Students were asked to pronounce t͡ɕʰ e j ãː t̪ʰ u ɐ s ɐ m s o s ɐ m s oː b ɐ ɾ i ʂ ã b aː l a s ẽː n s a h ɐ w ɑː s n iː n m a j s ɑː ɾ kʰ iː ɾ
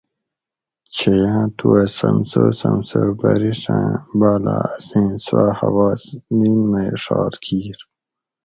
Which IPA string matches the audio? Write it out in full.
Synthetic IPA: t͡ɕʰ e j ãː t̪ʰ u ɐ s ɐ m s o s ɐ m s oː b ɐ ɾ i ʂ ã b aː l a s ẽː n s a h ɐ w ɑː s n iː n m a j ʂ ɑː ɾ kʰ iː ɾ